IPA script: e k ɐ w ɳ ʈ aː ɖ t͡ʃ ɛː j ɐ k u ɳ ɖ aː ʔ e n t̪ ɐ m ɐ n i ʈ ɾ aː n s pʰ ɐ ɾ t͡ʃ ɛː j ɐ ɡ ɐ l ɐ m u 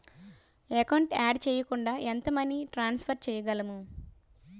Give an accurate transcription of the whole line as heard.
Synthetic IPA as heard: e k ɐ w ɳ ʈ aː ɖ t͡ʃ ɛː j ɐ k u ɳ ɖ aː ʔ e n t̪ ɐ m ɐ n i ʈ ɾ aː n s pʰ ɐ ɾ t͡ʃ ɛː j ɐ ɡ ɐ l ɐ m u

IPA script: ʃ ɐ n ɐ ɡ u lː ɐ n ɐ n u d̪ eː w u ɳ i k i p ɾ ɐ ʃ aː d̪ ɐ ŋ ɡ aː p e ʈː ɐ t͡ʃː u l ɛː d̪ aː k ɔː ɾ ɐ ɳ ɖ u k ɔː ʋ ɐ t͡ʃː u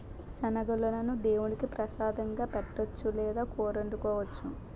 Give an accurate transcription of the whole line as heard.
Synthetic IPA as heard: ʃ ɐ n ɐ ɡ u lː ɐ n ɐ n u d̪ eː w u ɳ i k i p ɾ ɐ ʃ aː d̪ ɐ ŋ ɡ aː p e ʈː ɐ t͡ʃː u l ɛː d̪ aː k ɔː ɾ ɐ ɳ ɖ u k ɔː ʋ ɐ t͡ʃː u

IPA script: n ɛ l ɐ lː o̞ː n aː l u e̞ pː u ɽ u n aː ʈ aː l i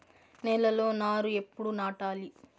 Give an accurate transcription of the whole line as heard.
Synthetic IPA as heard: n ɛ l ɐ l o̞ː n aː ɾ u e̞ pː u ɽ u n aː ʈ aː l i

